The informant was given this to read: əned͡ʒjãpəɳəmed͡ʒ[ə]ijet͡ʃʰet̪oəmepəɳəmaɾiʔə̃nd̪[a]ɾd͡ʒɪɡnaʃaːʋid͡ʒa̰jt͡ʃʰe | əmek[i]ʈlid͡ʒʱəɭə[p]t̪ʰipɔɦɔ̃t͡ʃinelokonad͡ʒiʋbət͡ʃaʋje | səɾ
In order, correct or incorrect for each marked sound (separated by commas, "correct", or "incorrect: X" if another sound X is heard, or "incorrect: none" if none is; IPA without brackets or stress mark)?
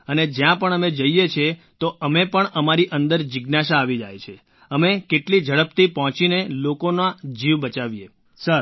correct, incorrect: ə, incorrect: e, correct